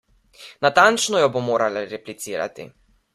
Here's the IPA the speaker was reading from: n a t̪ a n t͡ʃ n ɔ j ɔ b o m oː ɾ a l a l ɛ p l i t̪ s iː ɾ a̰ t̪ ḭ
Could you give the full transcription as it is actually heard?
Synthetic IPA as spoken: n a t̪ a n t͡ʃ n ɔ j ɔ b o m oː ɾ a l a ɾ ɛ p l i t̪ s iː ɾ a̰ t̪ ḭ

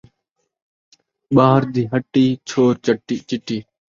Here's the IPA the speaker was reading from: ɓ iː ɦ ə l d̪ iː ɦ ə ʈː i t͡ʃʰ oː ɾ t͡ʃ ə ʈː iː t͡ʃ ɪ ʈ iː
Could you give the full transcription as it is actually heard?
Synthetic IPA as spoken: ɓ aː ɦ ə ɾ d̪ iː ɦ ə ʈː iː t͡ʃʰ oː ɾ t͡ʃ ə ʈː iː t͡ʃ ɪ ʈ iː

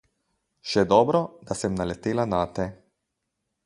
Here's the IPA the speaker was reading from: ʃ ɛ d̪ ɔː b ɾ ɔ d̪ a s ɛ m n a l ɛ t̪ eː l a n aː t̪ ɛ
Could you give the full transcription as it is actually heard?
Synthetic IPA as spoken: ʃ ɛ d̪ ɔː b ɾ ɔ d̪ a s ɛ m n a l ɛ t̪ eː l a n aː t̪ ɛ

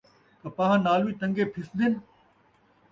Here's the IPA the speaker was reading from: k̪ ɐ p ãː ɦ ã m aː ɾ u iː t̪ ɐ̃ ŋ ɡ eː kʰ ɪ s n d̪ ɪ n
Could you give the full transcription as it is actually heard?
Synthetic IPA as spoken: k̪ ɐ p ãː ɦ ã n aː l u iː t̪ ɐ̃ ŋ ɡ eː pʰ ɪ s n d̪ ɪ n

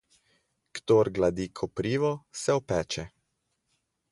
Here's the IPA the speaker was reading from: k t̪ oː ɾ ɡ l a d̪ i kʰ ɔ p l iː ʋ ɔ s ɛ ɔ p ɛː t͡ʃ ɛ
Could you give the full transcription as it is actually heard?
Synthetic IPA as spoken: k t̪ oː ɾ ɡ l a d̪ i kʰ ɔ p ɾ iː ʋ ɔ s ɛ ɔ p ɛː t͡ʃ ɛ

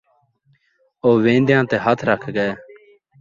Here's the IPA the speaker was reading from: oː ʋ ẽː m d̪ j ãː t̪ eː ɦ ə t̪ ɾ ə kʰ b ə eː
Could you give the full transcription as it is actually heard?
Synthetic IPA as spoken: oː ʋ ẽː n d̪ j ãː t̪ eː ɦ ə t̪ʰ ɾ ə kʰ ɡ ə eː

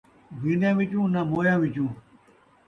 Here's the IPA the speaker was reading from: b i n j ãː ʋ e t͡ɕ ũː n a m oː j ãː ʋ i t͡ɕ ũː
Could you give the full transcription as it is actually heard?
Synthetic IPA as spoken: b i n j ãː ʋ i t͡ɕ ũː n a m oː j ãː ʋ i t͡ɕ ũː

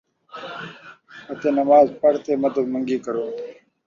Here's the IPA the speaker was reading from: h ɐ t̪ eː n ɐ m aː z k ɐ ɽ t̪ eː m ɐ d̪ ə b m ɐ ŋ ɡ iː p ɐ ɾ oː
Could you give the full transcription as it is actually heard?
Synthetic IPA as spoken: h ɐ t̪ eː n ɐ m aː z p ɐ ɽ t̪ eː m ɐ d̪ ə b m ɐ ŋ ɡ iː k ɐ ɾ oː

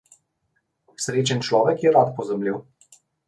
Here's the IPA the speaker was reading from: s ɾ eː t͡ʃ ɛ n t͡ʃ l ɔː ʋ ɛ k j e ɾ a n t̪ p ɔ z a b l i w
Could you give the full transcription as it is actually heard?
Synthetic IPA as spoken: s ɾ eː t͡ʃ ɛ n t͡ʃ l ɔː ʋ ɛ k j ɛ ɾ a t̪ p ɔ z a m l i w

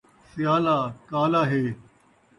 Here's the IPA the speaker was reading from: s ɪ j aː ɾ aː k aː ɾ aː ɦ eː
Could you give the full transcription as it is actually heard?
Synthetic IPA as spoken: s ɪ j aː l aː k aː l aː ɦ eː

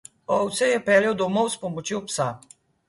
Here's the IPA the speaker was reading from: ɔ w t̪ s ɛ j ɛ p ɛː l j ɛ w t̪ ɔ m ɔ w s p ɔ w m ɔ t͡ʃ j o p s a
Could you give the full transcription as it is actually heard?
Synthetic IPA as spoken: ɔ w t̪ s ɛ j ɛ p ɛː l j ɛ w d̪ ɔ m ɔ w s p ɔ m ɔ t͡ʃ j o p s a

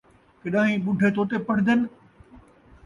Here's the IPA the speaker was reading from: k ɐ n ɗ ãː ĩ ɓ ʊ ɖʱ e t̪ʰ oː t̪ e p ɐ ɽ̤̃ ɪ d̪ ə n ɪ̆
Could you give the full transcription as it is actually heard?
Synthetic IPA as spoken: k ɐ ɗ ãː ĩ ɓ ʊ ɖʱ e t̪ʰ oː t̪ e p ɐ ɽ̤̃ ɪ d̪ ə n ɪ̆

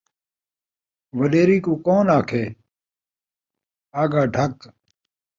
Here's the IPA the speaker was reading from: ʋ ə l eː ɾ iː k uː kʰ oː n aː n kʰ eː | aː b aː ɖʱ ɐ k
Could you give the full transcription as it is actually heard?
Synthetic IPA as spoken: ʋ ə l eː ɾ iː k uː k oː n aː kʰ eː | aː ɡ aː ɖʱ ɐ k

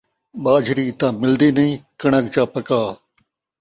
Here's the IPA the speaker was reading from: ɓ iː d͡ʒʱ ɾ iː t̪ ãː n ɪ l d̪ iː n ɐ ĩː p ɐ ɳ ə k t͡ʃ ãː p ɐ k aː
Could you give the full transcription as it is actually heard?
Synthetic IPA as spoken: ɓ aː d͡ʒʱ ɾ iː t̪ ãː m ɪ l d̪ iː n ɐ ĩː k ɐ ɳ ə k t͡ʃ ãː p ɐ k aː

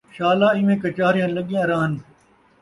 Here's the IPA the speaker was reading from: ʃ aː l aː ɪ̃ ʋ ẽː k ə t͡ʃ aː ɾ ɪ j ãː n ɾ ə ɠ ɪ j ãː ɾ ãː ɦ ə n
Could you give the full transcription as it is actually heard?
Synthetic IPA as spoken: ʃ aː l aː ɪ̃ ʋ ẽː k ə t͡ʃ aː ɾ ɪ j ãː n l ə ɠ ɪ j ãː ɾ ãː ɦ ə n

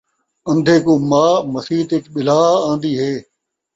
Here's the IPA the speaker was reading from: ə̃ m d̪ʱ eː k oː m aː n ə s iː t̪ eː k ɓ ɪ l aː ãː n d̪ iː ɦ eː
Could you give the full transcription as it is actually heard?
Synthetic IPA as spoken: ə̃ n d̪ʱ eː k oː m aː m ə s iː t̪ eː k ɓ ɪ l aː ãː n d̪ iː ɦ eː

